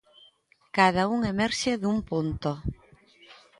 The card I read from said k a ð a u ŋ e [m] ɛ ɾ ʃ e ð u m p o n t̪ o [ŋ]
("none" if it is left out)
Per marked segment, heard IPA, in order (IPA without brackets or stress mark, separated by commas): m, none